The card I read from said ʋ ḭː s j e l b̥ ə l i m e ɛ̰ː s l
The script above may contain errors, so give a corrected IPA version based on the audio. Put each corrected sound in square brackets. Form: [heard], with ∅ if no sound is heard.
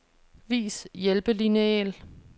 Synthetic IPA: ʋ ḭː s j e l b̥ ə l i [n] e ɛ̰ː [∅] l